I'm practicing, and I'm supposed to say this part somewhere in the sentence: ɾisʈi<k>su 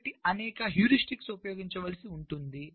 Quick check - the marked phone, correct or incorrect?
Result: correct